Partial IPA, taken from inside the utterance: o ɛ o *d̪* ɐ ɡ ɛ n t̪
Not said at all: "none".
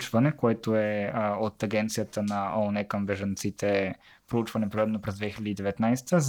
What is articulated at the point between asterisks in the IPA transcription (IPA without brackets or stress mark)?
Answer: t̪